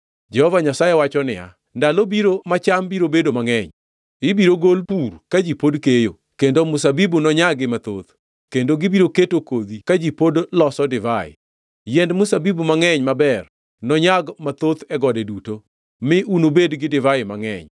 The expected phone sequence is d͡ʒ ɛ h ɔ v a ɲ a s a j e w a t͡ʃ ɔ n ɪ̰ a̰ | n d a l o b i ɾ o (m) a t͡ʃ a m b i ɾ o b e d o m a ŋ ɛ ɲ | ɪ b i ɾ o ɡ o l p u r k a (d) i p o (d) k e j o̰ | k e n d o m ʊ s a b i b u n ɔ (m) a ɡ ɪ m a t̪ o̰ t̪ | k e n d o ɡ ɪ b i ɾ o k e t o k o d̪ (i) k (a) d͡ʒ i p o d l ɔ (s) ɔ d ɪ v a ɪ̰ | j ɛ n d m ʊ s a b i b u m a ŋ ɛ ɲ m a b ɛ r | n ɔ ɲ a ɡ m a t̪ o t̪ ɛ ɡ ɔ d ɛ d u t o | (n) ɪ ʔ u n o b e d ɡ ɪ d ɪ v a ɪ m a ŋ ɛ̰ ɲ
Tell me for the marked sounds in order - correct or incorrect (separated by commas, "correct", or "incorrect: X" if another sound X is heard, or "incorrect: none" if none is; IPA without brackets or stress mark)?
correct, incorrect: d͡ʒ, correct, incorrect: ɲ, correct, correct, correct, incorrect: m